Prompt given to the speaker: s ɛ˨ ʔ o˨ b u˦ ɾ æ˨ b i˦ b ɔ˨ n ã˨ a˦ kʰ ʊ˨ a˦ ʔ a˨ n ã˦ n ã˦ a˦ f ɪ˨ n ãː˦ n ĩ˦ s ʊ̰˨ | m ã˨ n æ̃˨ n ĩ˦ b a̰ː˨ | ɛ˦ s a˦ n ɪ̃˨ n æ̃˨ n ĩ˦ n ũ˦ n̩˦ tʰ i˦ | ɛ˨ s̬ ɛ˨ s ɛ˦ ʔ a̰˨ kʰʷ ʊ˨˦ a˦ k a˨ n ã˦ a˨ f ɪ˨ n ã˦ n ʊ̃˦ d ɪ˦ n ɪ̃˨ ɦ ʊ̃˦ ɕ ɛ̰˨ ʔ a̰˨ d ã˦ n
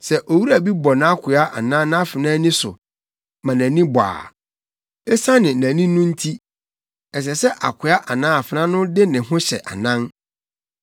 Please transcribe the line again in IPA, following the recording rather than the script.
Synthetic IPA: s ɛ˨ ʔ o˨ w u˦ ɾ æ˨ b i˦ b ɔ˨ n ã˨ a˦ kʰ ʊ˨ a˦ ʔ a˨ n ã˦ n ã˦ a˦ f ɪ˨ n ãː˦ n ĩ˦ s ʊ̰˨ | m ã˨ n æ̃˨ n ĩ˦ b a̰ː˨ | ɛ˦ s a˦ n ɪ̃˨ n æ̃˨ n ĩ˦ n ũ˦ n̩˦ tʰ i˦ | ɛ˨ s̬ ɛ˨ s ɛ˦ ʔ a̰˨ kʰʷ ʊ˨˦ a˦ ʔ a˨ n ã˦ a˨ f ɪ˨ n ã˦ n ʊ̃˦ d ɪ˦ n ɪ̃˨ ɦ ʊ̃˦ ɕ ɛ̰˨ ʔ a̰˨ n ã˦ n